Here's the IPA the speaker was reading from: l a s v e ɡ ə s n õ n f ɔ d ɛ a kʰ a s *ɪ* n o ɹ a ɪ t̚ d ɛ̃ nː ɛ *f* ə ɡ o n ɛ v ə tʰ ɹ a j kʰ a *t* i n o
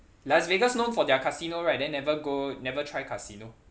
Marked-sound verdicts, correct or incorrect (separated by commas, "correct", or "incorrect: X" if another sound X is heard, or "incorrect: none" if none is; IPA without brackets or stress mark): incorrect: i, incorrect: v, incorrect: s